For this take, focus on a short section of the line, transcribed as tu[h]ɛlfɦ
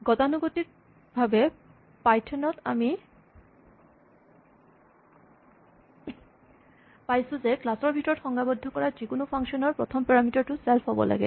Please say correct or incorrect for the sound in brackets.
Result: incorrect